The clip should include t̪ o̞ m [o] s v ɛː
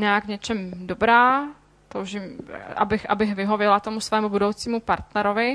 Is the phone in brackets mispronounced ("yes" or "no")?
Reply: yes